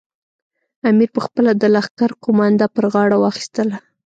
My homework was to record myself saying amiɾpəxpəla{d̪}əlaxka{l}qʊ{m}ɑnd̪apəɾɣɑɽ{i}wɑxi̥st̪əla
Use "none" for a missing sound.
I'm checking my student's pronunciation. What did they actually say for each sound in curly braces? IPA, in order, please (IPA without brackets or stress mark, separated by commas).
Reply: d̪, ɾ, m, a